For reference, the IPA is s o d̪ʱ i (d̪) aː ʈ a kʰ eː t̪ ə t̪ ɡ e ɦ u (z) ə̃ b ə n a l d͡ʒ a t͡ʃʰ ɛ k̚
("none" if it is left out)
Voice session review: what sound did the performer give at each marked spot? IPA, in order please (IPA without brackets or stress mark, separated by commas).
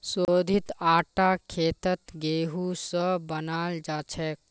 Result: t̪, s